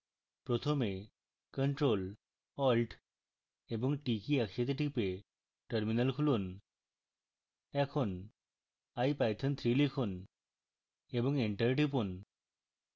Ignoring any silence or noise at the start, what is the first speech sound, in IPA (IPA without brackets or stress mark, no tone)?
p